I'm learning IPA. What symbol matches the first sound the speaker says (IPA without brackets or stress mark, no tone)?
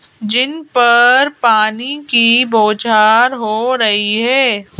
d͡ʒ